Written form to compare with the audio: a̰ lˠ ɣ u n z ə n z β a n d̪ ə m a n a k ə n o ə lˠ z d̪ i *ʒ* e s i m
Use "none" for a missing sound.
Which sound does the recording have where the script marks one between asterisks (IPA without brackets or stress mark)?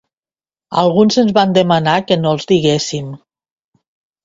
ɣ